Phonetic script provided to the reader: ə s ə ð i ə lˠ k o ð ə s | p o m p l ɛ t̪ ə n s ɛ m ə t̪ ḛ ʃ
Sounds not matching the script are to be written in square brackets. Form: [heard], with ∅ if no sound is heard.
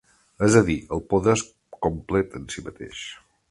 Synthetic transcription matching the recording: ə [z] ə ð i ə lˠ [p] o ð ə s | [k] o m p l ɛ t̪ ə n s [i] m ə t̪ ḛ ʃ